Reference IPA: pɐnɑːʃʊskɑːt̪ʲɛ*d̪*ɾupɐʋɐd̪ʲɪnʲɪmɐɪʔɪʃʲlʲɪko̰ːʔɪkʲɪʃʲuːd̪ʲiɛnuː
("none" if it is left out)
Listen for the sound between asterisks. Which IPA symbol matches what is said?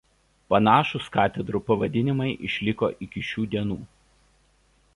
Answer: d̪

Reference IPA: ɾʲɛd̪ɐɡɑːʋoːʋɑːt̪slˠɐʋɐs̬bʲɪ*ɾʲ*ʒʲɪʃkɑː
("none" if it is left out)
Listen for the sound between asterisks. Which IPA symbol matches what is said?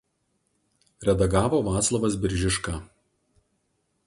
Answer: ɾʲ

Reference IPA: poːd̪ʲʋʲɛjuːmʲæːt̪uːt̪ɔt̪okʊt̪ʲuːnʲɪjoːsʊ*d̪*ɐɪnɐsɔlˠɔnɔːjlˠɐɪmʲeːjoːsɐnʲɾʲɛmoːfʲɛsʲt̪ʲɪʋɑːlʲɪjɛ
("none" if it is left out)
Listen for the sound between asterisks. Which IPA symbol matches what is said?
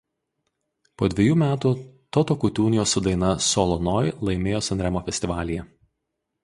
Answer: d̪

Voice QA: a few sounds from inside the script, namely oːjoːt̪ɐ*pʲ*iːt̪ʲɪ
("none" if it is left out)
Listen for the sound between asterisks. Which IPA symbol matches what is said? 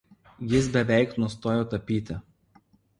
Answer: pʲ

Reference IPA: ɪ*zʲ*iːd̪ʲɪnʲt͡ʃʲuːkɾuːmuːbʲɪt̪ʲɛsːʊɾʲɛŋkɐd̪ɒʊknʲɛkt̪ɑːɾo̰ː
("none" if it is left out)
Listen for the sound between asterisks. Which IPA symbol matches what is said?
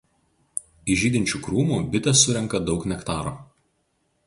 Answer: ʒʲ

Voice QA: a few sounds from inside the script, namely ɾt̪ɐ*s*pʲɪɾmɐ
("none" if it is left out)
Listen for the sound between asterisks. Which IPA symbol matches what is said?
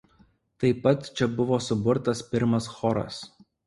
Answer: s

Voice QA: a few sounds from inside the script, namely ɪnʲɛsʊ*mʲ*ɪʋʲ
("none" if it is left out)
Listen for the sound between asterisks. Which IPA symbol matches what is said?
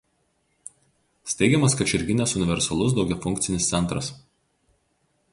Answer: nʲ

